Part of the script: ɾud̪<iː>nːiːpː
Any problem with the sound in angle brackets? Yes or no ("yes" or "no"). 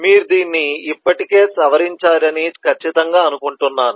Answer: no